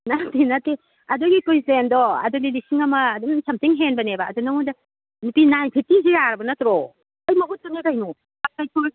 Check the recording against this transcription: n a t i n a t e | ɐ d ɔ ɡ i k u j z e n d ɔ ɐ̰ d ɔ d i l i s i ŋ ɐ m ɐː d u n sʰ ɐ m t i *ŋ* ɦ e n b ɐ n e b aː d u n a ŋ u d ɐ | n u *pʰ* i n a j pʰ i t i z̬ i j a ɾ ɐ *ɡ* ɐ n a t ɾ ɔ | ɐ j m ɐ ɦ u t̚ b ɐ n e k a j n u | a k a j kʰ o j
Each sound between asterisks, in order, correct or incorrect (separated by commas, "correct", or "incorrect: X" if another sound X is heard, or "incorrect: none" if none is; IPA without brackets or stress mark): correct, incorrect: p, incorrect: b